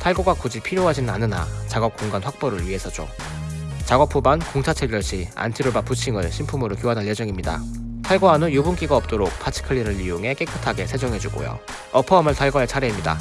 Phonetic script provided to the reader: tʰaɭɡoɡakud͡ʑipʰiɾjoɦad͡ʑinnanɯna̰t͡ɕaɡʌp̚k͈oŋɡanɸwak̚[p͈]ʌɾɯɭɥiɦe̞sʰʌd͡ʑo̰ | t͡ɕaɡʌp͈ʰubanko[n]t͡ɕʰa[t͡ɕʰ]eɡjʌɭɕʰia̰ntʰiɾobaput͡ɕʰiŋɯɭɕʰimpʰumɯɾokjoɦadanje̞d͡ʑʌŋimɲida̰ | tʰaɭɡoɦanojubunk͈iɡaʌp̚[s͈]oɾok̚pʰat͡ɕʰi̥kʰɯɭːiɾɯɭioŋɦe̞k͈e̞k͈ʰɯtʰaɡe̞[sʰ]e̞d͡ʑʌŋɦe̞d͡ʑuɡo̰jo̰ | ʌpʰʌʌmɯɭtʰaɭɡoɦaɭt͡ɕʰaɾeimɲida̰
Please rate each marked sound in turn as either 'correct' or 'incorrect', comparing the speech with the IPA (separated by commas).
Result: correct, incorrect, correct, incorrect, correct